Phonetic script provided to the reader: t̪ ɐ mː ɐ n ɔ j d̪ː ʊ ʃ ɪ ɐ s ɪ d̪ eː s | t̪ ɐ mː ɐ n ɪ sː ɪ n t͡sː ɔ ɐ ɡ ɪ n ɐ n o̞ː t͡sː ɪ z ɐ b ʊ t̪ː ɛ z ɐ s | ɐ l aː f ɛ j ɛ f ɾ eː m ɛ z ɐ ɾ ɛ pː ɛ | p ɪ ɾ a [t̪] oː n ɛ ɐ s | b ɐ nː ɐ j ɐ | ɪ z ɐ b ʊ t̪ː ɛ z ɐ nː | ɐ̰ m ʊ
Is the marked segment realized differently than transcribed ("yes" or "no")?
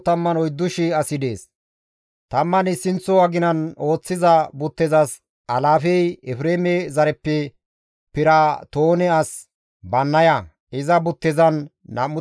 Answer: no